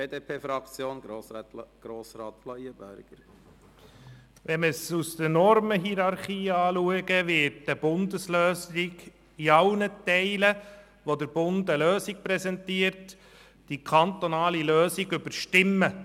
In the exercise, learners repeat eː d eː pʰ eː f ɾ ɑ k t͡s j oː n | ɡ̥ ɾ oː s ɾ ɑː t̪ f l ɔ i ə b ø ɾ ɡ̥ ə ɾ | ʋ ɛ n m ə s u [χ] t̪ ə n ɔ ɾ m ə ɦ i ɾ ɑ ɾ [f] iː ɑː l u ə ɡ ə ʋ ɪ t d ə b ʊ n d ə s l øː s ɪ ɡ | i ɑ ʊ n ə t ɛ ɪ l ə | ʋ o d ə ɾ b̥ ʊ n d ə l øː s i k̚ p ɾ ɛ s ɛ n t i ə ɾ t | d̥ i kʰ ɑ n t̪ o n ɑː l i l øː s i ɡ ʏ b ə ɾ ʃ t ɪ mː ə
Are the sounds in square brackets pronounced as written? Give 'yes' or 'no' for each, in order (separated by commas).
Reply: no, no